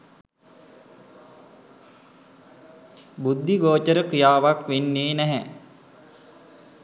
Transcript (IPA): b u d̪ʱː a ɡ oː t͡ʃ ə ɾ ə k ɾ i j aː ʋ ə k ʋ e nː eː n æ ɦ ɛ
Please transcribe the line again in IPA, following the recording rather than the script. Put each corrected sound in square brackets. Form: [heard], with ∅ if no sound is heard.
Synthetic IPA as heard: b u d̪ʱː [i] ɡ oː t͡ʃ ə ɾ ə k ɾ i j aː ʋ [a] k ʋ e nː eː n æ ɦ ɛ

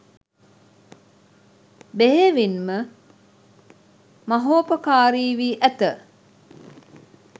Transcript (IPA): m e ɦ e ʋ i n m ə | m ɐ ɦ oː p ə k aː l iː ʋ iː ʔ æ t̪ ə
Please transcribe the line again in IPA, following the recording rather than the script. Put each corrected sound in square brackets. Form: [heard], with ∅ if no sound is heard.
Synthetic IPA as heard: [b] e ɦ e ʋ i n m ə | m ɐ ɦ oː p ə k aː [ɾ] iː ʋ iː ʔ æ t̪ ə

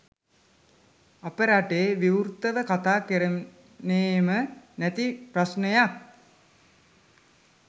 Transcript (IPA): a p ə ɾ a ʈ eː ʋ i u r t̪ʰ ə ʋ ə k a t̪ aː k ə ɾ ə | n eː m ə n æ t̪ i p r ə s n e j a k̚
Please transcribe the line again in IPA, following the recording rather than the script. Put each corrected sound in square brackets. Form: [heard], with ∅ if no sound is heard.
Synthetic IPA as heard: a p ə ɾ a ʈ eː ʋ i u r [t̪] ə ʋ ə k a t̪ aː k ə ɾ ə | n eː m ə n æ t̪ i p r [a] s n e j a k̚

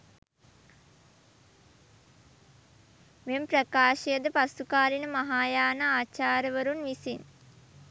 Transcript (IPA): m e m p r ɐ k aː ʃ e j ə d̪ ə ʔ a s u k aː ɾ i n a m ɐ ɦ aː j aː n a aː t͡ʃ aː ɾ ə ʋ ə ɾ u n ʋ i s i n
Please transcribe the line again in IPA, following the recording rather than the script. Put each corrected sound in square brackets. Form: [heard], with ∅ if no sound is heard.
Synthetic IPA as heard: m e m p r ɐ k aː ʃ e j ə d̪ ə [p] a s u k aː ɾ i n [ə] m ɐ ɦ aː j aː n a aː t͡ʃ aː ɾ ə ʋ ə ɾ u n ʋ i s i n

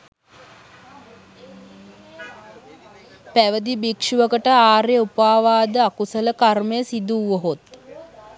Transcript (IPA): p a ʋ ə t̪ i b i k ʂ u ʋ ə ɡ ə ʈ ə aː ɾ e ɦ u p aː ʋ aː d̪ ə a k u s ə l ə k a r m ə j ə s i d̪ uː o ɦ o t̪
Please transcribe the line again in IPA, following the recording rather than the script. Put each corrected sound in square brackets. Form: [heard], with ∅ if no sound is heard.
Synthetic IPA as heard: p [æ] ʋ ə [d̪] i b i k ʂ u ʋ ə [k] ə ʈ ə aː ɾ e [∅] u p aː ʋ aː d̪ ə a k u s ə l ə k a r m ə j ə s i d̪ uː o ɦ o t̪

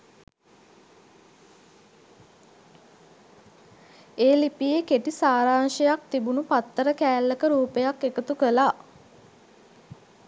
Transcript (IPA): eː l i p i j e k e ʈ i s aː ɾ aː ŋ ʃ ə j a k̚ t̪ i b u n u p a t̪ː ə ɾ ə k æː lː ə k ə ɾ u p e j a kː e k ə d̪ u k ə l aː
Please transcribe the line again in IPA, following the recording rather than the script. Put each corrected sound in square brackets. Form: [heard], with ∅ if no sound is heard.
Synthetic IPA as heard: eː l i p i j e k e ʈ i s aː ɾ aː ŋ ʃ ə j a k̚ t̪ i b u n u p a t̪ː ə ɾ ə k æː lː ə k ə ɾ [uː] p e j a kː e k ə [t̪] u k ə l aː

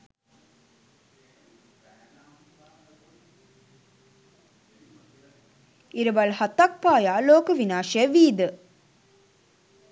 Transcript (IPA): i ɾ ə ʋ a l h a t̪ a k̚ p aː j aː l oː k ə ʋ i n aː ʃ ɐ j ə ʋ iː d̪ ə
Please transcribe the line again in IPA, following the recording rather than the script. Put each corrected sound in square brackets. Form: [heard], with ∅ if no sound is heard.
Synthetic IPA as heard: i ɾ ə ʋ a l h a t̪ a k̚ p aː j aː l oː k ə ʋ i n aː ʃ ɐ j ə ʋ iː d̪ ə

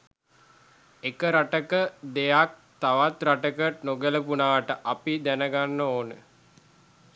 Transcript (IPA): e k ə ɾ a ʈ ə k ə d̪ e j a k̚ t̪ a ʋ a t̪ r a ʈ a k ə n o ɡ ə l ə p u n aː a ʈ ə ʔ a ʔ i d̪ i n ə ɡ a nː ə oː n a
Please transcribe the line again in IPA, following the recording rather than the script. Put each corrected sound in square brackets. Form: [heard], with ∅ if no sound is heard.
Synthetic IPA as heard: e k ə ɾ a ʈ ə k ə d̪ e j a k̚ t̪ a ʋ a t̪ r a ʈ [ə] k ə n o ɡ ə l ə p u n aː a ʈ ə ʔ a [p] i d̪ [æ] n ə ɡ a nː ə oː n [ə]

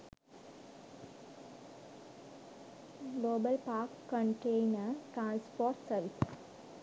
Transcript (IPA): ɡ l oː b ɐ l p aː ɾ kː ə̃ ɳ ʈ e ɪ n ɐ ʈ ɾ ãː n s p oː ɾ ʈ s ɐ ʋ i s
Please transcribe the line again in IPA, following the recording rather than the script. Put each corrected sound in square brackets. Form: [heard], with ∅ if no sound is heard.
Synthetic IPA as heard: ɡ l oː b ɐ l p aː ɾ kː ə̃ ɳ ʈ e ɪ n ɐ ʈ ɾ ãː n s p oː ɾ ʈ s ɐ ʋ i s

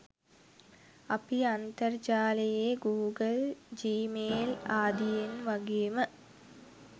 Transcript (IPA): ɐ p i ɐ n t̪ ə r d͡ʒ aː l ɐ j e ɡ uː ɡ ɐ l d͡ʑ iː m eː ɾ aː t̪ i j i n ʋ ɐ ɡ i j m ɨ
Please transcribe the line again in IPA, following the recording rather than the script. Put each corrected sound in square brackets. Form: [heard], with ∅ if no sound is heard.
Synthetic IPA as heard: ɐ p i ɐ n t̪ [ɐ] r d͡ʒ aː l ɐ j e ɡ uː ɡ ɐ l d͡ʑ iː m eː [l] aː [d̪] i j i n ʋ ɐ ɡ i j m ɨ

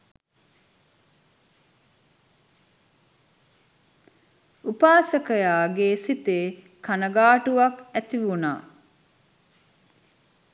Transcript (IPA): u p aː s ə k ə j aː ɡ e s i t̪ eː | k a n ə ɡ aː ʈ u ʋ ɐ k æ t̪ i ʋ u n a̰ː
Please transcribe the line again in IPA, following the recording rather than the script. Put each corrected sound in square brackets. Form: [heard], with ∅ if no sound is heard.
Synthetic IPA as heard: u p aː s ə k ə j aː ɡ e s i t̪ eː | k a n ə ɡ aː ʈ u ʋ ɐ k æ t̪ i ʋ u n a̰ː

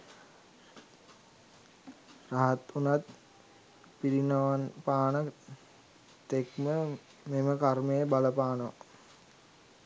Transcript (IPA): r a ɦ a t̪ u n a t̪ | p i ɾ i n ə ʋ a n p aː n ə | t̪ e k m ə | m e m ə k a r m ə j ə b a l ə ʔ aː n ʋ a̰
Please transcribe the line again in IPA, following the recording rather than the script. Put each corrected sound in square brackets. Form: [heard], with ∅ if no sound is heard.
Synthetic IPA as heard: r a ɦ a t̪ u n a t̪ | p i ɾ i n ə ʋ a n p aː n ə | t̪ e k m ə | m e m ə k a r m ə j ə b a l ə [p] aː n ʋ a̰

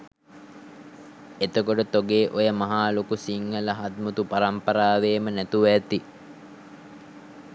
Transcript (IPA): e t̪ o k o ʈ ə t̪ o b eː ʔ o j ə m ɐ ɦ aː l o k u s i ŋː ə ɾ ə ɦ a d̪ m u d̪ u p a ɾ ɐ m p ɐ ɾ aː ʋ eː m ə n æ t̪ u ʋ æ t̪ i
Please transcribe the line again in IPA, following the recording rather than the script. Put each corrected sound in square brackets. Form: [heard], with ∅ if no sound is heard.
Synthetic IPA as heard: e t̪ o k o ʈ ə t̪ o [ɡ] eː ʔ o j ə m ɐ ɦ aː l o k u s i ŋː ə [l] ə ɦ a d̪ m u [t̪] u p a ɾ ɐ m p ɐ ɾ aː ʋ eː m ə n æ t̪ u ʋ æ t̪ i

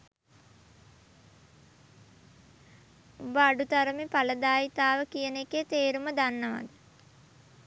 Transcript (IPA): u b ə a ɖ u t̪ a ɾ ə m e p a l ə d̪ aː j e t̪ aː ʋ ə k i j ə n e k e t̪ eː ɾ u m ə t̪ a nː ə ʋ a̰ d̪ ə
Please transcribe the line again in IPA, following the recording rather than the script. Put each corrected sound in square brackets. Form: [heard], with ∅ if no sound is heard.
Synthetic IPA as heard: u b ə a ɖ u t̪ a ɾ ə m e p a l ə d̪ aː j [i] t̪ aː ʋ ə k i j ə n e k e t̪ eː ɾ u m ə [d̪] a nː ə ʋ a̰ d̪ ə

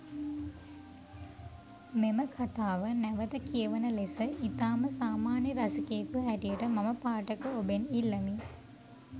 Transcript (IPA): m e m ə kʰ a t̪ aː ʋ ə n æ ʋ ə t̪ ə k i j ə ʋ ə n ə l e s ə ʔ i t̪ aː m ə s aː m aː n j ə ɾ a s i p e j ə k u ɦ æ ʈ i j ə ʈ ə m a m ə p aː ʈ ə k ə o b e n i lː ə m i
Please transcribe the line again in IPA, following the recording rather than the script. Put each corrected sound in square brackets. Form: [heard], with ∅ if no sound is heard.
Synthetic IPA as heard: m e m ə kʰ a t̪ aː ʋ ə n æ ʋ ə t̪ ə k i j ə ʋ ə n ə l e s ə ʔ i t̪ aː m ə s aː m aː n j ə ɾ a s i [k] e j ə k u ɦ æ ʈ i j ə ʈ ə m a m ə p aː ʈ ə k ə o b e n i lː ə m i

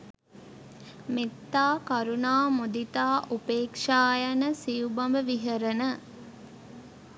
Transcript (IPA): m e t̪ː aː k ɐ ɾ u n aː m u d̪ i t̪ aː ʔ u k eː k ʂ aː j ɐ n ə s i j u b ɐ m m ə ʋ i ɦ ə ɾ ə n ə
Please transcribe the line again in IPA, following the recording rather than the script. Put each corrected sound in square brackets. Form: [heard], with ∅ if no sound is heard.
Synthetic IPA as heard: m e t̪ː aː k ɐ ɾ u n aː m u d̪ i t̪ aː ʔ u [p] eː k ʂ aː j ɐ n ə s i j u b ɐ m [b] ə ʋ i ɦ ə ɾ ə n ə

